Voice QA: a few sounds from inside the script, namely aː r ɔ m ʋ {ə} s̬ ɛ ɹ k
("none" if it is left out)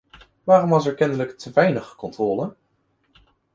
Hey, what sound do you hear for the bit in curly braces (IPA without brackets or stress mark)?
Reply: ɑ